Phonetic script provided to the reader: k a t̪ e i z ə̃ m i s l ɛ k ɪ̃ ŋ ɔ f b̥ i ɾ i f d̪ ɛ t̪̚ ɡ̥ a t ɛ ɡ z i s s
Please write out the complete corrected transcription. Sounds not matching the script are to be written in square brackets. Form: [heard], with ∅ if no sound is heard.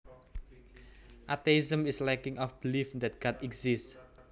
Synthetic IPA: [ʔ] a t̪ e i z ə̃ m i s l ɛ k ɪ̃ ŋ ɔ f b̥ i [l] i f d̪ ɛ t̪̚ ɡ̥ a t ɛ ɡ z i s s